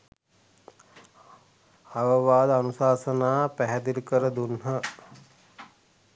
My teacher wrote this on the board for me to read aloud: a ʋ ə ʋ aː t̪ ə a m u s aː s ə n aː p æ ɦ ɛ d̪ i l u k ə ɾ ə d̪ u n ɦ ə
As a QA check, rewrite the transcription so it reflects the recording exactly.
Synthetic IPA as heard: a ʋ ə ʋ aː d̪ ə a n u s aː s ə n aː p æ ɦ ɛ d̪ i l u k ə ɾ ə d̪ u n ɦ ə